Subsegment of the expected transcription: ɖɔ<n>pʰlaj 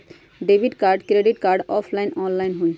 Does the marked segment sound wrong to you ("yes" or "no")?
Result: yes